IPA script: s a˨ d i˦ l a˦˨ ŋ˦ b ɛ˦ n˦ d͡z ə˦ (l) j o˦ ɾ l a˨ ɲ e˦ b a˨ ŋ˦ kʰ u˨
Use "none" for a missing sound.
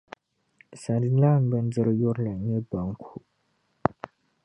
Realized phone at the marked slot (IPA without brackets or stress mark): ɾ